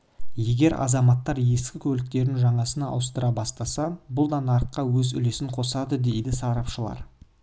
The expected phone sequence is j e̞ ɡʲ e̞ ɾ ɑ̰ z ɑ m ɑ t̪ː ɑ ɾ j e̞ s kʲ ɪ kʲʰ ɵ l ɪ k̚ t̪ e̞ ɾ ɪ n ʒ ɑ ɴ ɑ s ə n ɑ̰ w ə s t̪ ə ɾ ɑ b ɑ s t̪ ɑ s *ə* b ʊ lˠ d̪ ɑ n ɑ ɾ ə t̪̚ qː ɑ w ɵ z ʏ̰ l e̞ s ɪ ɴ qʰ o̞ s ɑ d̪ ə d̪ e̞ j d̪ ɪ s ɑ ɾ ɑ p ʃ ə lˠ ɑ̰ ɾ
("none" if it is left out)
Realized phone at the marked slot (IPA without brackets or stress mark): ɑ